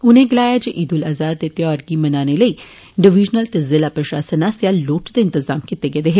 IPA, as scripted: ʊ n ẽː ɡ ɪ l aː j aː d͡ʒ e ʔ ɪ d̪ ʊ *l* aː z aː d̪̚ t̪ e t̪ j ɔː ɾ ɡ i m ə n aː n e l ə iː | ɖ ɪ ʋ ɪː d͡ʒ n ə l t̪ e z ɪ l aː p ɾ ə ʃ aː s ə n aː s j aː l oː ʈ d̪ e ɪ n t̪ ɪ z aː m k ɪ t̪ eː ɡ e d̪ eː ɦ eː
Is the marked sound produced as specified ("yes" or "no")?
yes